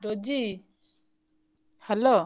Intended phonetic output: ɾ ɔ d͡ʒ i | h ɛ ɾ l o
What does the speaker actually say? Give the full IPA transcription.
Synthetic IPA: ɾ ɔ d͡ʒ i | h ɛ l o